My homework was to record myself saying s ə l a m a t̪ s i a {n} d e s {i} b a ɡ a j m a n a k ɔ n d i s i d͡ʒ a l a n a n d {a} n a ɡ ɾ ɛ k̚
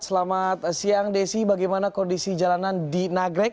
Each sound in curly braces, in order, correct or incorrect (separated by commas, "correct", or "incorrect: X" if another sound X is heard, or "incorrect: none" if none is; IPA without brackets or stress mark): incorrect: ŋ, correct, incorrect: i